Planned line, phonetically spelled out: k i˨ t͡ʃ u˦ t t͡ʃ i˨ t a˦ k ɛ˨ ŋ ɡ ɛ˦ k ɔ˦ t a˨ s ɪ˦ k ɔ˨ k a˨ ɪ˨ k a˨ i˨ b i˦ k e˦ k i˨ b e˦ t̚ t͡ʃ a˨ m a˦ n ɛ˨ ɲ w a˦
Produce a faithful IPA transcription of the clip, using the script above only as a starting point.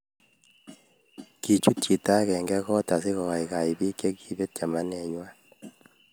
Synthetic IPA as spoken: k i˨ t͡ʃ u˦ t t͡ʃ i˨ t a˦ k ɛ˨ ŋ ɡ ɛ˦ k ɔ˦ t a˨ s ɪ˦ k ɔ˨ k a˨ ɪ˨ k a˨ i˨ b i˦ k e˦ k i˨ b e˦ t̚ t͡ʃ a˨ m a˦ n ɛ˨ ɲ w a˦